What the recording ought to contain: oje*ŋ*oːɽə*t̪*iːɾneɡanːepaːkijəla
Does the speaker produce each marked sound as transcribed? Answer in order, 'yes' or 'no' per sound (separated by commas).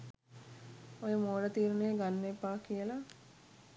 no, yes